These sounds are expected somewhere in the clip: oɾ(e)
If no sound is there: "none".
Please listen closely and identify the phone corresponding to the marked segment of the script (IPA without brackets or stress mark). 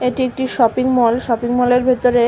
e